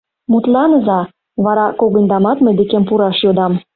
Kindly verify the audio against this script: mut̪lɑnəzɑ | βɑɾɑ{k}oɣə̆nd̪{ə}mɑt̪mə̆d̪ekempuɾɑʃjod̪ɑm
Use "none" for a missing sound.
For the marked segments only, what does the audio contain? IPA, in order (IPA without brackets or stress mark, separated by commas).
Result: k, ɑ